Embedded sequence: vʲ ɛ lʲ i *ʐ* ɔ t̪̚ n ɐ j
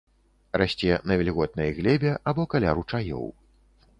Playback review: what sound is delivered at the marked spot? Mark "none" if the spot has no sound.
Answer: ɣ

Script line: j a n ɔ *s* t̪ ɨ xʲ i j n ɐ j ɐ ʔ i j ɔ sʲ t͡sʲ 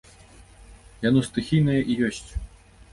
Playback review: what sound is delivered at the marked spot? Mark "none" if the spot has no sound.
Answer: s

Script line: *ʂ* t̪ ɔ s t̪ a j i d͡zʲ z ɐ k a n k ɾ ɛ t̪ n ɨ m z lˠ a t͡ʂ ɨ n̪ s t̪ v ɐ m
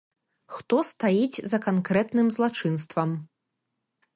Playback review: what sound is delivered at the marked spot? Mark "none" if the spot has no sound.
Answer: x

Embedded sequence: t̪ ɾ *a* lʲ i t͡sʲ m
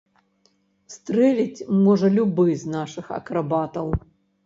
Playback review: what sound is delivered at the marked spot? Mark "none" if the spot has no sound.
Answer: ɛ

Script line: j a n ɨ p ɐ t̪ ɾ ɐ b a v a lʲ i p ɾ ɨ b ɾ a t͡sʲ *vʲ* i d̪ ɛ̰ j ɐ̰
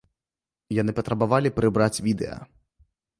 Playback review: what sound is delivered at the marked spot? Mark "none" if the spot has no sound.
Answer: vʲ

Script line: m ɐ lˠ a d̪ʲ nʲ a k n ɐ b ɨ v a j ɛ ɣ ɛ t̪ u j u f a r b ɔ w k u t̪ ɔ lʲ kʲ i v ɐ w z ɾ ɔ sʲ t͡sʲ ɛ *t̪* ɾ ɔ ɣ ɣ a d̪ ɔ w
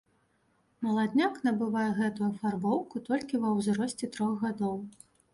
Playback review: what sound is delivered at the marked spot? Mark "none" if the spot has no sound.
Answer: t̪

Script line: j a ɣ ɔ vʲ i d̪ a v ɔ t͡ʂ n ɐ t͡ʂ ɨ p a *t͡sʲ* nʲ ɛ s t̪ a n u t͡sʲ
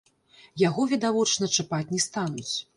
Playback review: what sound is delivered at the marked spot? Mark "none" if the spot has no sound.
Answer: t͡sʲ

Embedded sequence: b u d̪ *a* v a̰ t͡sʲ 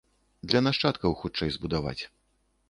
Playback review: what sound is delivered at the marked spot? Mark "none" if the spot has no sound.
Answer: a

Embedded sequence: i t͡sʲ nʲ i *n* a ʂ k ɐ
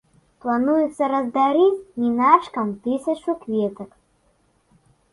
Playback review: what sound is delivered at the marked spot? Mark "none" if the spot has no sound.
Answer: n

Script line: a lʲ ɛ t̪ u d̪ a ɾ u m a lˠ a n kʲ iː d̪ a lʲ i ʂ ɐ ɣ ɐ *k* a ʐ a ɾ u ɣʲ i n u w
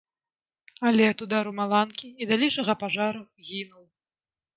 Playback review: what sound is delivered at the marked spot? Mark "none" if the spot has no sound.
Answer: p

